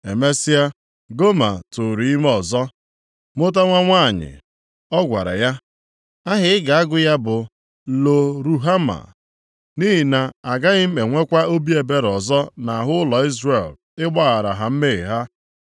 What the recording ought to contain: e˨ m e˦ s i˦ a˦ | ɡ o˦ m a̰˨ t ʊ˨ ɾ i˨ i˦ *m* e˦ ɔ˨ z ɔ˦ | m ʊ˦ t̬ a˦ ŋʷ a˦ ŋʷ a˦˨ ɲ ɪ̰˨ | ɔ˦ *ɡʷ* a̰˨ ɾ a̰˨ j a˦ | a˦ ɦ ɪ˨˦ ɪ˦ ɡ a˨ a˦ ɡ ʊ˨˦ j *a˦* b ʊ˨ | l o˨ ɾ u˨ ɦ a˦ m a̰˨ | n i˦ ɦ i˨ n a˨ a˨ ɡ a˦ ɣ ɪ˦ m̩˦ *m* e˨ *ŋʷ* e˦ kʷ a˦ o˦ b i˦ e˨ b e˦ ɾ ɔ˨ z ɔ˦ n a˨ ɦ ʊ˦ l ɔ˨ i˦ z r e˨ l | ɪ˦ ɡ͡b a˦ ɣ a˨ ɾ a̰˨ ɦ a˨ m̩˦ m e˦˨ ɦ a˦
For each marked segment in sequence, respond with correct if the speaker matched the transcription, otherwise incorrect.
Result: correct, correct, correct, correct, correct

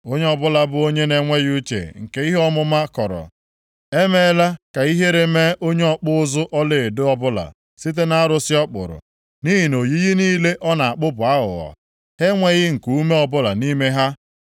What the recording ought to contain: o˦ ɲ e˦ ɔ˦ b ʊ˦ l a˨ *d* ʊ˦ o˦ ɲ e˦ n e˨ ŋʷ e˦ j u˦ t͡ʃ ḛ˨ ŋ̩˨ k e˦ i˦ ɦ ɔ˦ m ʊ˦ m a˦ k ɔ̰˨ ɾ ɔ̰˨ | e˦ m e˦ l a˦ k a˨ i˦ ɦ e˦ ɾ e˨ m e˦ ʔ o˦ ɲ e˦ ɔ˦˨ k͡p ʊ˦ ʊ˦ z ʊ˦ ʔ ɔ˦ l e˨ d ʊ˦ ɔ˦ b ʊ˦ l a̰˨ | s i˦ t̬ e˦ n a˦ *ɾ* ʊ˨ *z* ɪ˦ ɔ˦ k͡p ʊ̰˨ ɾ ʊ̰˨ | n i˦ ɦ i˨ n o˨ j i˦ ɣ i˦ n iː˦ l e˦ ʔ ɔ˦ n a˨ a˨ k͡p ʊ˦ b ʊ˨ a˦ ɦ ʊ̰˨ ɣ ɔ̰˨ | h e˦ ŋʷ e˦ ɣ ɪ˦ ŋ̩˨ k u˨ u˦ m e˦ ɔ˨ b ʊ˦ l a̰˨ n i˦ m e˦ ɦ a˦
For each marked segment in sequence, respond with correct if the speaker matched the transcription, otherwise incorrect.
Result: incorrect, correct, incorrect

